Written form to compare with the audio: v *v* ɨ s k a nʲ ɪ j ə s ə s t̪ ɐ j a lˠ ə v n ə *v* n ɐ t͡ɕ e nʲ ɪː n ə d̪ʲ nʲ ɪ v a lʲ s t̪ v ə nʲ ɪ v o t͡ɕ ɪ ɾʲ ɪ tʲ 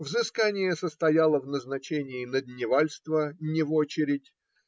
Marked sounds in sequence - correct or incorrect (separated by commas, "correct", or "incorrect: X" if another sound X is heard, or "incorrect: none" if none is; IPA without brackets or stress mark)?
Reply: incorrect: z, incorrect: z